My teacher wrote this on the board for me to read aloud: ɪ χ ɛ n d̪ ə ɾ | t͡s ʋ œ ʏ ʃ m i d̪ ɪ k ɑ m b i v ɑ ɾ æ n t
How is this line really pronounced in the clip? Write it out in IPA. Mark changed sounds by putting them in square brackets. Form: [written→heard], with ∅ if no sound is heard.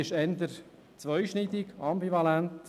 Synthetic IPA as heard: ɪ [χ→ʃ] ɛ n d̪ ə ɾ | t͡s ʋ œ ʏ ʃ [m→n] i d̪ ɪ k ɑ m b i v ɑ [ɾ→l] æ n t